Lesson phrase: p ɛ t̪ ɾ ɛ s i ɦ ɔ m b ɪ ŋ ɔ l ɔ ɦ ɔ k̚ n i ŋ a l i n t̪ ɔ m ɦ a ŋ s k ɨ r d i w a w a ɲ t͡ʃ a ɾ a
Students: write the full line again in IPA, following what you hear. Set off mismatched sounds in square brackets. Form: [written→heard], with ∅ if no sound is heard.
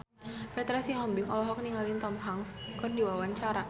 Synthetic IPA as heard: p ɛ t̪ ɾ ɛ s i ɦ ɔ m b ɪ ŋ ɔ l ɔ ɦ ɔ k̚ n i ŋ a l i n t̪ ɔ m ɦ a ŋ s k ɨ r d i w a w a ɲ t͡ʃ a ɾ a